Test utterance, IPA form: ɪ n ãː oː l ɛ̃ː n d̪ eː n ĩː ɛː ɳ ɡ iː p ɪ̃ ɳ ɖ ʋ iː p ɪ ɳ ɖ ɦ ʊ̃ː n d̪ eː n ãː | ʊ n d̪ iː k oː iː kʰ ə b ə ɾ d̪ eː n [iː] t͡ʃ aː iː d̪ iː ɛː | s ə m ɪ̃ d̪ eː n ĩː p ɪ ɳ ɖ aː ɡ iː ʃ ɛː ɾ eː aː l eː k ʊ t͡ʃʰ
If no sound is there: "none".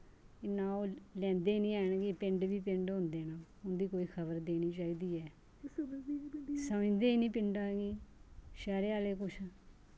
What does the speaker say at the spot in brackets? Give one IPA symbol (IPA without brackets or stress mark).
iː